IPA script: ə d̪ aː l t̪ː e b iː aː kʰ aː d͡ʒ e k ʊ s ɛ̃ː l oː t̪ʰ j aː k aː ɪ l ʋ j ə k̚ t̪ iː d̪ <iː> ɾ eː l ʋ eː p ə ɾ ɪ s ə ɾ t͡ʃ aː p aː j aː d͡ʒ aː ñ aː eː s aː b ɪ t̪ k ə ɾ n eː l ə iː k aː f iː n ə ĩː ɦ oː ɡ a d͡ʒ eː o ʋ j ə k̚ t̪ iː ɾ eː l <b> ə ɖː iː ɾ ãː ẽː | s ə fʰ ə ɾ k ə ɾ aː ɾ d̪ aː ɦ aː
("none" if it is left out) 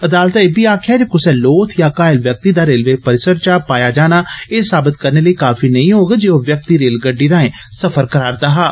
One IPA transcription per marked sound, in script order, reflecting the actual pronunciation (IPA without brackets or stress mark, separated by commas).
aː, ɡ